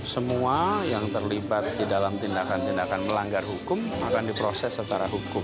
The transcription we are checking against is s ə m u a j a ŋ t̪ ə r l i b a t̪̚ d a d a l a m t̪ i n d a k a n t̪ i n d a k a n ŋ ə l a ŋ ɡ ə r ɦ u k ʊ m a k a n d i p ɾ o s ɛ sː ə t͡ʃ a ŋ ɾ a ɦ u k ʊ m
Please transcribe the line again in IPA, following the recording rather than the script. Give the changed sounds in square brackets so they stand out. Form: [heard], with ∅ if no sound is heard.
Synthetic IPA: s ə m u a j a ŋ t̪ ə r l i b a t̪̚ d [i] d a l a m t̪ i n d a k a n t̪ i n d a k a n [m] ə l a ŋ ɡ [a] r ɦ u k ʊ m a k a n d i p ɾ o s ɛ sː ə t͡ʃ a [∅] ɾ a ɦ u k ʊ m

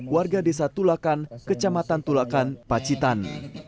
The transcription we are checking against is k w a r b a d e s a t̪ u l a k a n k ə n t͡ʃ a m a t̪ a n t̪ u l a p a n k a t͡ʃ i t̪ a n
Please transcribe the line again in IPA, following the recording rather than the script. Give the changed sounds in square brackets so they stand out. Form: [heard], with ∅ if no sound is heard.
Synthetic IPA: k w a r [ɡ] a d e s a t̪ u l a k a n k ə [∅] t͡ʃ a m a t̪ a n t̪ u l a [k] a n [p] a t͡ʃ i t̪ a n

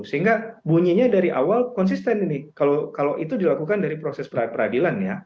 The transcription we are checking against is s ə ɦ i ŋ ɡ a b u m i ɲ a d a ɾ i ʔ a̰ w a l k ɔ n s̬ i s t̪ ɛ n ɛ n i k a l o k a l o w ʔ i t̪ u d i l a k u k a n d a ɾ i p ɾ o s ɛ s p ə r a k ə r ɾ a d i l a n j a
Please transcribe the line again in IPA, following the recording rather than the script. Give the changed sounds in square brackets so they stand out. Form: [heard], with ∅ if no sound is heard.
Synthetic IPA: s ə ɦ i ŋ ɡ a b u [ɲ] i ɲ a d a ɾ i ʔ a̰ w a l k ɔ n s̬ i s t̪ ɛ n [i] n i k a l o k a l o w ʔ i t̪ u d i l a k u k a n d a ɾ i p ɾ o s ɛ s p ə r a [p] ə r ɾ a d i l a n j a

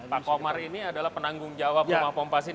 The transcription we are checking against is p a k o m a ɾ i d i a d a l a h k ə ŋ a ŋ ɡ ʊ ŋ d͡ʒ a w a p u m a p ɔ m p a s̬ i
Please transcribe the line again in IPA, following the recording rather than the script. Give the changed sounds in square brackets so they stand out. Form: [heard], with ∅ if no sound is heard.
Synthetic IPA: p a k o m a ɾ i [n] i a d a l a h [p] ə [n] a ŋ ɡ ʊ ŋ d͡ʒ a w a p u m a p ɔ m p a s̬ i

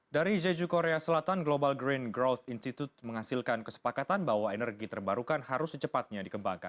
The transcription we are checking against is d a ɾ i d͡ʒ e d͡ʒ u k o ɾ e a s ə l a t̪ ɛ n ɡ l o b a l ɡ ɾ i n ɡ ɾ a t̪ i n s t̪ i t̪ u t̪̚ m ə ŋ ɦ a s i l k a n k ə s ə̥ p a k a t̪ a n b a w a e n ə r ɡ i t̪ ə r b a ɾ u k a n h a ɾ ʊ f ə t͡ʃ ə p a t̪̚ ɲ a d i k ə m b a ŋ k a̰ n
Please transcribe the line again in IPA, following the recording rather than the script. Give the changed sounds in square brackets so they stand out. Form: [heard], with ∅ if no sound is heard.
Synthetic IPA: d a ɾ i d͡ʒ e d͡ʒ u k o ɾ e a s ə l a t̪ [a] n ɡ l o b a l ɡ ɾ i n ɡ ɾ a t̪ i n s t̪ i t̪ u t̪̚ m ə ŋ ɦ a s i l k a n k ə s ə̥ p a k a t̪ a n b a w a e n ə r ɡ i t̪ ə r b a ɾ u k a n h a ɾ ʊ [s] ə t͡ʃ ə p a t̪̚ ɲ a d i k ə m b a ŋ k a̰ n

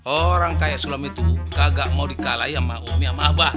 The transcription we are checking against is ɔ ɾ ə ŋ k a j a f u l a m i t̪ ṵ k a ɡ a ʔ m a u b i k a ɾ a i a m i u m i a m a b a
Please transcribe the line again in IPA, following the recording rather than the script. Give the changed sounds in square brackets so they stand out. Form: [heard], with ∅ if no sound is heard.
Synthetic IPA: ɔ ɾ [a] ŋ k a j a [s] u l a m i t̪ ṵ k a ɡ a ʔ m a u [d] i k a [l] a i a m [a] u m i a m a b a

